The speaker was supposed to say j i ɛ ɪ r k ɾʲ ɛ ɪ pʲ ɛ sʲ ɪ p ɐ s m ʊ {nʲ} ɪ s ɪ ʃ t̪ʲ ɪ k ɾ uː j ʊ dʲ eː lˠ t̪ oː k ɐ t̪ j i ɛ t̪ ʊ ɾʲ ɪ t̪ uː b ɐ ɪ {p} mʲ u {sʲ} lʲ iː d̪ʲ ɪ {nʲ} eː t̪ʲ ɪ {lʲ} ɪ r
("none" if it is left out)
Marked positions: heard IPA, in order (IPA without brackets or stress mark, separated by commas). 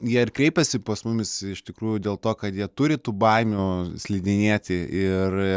mʲ, none, sʲ, nʲ, none